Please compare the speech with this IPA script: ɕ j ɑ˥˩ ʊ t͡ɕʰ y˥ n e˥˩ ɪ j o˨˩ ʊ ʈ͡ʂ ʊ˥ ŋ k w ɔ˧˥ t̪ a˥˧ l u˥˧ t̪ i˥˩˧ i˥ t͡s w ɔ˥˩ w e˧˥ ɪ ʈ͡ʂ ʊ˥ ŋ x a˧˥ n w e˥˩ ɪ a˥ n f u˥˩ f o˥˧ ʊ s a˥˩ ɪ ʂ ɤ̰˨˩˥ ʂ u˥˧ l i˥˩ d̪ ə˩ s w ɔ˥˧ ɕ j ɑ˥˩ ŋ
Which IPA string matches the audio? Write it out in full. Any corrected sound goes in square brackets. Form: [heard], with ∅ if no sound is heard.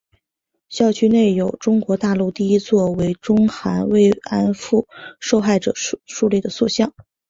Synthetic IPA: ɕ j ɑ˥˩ ʊ t͡ɕʰ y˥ n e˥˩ ɪ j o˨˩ ʊ ʈ͡ʂ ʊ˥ ŋ k w ɔ˧˥ t̪ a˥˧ l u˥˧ t̪ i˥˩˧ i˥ t͡s w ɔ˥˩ w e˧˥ ɪ ʈ͡ʂ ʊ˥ ŋ x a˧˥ n w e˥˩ ɪ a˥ n f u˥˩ [ʂ] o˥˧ ʊ [x] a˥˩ ɪ [ʈ͡ʂ] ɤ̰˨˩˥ ʂ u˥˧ l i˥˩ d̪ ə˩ s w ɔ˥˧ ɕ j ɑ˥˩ ŋ